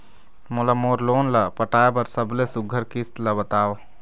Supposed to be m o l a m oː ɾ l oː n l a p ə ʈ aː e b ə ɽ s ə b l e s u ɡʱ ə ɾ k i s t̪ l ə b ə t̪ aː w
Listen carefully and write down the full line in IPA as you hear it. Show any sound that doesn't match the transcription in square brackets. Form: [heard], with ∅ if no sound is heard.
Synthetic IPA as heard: m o l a m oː ɾ l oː n l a p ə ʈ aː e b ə [ɾ] s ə b l e s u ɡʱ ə ɾ k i s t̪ l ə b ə t̪ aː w